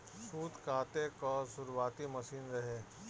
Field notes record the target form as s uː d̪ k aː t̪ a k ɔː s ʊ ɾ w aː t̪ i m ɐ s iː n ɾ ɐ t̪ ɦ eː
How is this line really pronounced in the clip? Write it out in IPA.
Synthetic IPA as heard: s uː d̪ k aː t̪ e k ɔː s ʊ ɾ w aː t̪ i m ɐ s iː n ɾ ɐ ɦ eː